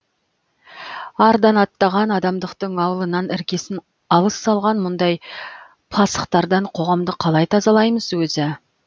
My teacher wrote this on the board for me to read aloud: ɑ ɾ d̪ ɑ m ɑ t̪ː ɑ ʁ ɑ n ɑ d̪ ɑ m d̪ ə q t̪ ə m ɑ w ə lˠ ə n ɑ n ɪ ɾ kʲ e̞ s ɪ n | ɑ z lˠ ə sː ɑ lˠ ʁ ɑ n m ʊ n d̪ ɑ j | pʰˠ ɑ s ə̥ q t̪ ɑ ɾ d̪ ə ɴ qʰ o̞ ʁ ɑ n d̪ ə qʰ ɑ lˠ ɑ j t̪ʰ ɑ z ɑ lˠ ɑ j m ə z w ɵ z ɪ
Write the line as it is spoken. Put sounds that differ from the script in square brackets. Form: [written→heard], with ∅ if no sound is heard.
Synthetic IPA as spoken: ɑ ɾ d̪ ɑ [m→n] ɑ t̪ː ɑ ʁ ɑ n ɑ d̪ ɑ m d̪ ə q t̪ ə [m→ɴ] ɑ w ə lˠ ə n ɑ n ɪ ɾ kʲ e̞ s ɪ n | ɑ [z→∅] lˠ ə sː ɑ lˠ ʁ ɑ n m ʊ n d̪ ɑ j | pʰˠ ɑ s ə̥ q t̪ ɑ ɾ d̪ [ə→ɑ] ɴ qʰ o̞ ʁ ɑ [n→m] d̪ ə qʰ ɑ lˠ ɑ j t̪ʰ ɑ z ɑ lˠ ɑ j m ə z w ɵ z ɪ